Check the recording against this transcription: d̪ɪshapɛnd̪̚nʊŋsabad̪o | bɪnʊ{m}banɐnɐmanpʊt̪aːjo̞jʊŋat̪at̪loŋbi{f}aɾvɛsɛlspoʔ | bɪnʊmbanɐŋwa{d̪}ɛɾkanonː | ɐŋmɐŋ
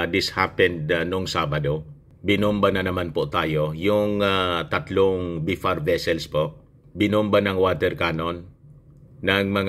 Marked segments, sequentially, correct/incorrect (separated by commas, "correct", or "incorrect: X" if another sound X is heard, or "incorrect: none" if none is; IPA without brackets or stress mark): correct, correct, incorrect: t̪